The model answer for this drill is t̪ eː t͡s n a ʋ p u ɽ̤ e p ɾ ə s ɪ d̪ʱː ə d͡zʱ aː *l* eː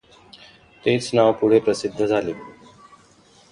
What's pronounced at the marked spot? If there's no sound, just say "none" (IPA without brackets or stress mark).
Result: l